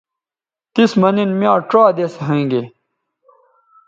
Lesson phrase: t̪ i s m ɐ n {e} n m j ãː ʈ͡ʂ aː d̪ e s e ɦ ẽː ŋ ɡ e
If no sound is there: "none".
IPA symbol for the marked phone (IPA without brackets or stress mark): i